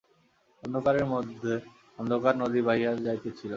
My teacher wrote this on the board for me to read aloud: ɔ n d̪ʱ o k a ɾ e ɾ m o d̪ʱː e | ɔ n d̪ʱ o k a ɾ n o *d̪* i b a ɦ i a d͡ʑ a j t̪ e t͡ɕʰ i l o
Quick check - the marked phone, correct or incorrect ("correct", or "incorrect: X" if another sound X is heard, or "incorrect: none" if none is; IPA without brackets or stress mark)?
correct